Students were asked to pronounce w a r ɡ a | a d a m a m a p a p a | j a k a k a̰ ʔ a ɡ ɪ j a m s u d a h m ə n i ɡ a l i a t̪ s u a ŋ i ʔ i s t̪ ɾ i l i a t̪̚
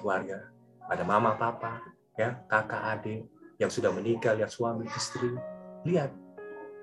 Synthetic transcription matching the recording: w a r ɡ a | a d a m a m a p a p a | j a k a k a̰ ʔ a d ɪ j a ŋ s u d a h m ə n i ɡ a l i a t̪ s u a m i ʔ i s t̪ ɾ i l i a t̪̚